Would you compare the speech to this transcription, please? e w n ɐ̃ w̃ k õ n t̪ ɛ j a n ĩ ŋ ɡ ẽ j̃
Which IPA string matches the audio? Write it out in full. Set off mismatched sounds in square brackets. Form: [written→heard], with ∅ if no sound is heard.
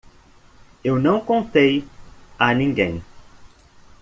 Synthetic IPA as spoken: e w n ɐ̃ w̃ k õ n t̪ [ɛ→e] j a n ĩ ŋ ɡ ẽ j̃